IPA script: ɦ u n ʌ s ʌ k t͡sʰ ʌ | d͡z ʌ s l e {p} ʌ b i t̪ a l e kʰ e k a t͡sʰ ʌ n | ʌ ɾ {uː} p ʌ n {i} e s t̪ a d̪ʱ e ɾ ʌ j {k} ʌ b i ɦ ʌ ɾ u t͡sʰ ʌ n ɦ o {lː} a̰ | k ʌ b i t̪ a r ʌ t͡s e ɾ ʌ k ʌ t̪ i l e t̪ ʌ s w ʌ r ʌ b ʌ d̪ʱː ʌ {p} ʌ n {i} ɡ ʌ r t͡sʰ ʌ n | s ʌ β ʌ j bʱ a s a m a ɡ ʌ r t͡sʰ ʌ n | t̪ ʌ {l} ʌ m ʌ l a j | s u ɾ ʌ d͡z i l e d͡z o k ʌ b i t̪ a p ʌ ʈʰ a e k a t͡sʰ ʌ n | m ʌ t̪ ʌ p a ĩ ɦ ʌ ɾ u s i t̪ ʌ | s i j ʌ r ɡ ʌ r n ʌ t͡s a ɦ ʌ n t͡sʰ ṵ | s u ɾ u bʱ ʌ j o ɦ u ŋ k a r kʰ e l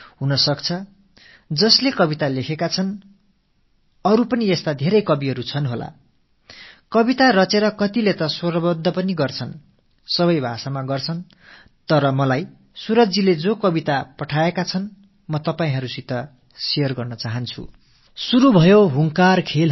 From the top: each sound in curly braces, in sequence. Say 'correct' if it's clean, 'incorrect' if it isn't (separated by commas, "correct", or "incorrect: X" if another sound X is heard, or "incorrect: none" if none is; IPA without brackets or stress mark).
incorrect: k, incorrect: u, correct, correct, incorrect: l, correct, correct, incorrect: ɾ